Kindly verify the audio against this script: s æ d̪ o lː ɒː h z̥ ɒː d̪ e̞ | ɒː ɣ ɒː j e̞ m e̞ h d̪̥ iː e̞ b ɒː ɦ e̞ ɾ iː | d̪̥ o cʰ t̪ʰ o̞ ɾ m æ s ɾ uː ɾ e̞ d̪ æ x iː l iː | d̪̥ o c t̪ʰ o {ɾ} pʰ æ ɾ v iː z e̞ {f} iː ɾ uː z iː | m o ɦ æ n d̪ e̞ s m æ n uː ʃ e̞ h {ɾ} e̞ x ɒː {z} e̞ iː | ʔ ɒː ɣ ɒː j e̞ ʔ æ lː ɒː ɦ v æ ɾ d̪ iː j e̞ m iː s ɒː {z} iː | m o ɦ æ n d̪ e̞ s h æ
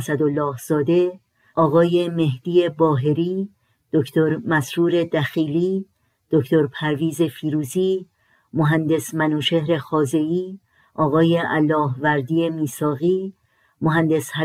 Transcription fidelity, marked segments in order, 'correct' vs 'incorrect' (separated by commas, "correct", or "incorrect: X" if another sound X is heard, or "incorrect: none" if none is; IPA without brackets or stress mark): correct, correct, correct, correct, incorrect: ɣ